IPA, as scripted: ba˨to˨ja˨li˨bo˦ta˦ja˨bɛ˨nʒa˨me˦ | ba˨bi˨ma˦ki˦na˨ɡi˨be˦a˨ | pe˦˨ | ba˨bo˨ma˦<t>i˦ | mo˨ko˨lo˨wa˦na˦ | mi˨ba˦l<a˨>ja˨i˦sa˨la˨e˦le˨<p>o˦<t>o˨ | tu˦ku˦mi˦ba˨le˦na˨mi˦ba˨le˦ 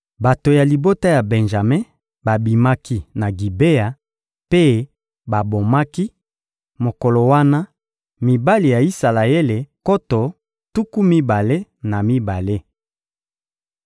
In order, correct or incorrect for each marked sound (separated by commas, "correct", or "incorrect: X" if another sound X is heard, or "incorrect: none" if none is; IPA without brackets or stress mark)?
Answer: incorrect: k, incorrect: i˨, incorrect: k, correct